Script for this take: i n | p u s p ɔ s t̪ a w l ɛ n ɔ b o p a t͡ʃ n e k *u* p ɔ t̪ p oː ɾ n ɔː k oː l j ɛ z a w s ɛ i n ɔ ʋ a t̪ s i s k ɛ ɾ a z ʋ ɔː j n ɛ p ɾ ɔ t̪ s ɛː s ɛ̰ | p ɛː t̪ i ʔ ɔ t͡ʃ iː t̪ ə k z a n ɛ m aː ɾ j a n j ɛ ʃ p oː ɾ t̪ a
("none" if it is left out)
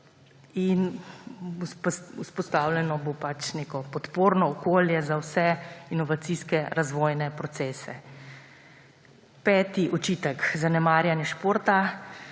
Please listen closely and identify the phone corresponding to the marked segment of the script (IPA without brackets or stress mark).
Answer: ɔ